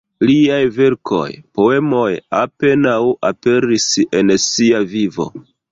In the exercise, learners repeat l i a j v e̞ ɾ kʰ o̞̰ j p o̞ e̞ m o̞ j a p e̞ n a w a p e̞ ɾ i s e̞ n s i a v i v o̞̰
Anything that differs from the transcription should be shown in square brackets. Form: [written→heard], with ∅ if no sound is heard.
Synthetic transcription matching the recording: l i a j v e̞ ɾ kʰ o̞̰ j p o̞ e̞ m o̞ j a p e̞ n a w a p e̞ ɾ i s e̞ n s i a v i v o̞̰